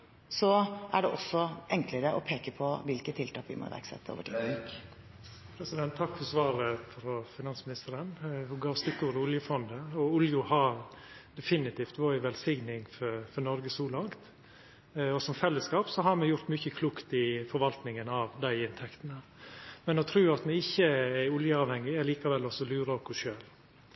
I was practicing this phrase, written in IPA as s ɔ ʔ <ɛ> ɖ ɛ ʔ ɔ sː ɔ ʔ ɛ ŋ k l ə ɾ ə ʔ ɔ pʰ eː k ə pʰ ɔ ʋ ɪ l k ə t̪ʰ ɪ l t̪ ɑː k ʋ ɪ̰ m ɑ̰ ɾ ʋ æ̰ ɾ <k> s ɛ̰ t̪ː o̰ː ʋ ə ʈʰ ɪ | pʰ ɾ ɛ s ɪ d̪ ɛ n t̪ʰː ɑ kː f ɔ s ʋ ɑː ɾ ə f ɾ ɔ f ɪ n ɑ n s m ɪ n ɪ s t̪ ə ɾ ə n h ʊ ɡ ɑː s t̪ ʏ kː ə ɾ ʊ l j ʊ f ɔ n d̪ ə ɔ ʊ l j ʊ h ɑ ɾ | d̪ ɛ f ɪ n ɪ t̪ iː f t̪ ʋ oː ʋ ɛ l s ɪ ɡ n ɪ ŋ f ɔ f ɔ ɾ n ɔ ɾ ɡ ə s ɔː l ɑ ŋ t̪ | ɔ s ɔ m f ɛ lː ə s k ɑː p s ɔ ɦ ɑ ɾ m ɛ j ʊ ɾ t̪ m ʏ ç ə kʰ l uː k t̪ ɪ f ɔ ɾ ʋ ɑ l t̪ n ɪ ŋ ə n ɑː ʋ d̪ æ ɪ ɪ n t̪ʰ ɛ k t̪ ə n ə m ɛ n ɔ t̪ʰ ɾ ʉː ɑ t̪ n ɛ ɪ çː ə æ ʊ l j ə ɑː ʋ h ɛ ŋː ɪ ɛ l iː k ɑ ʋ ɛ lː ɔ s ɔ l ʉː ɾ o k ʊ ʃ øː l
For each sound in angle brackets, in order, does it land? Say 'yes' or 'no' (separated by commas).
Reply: no, yes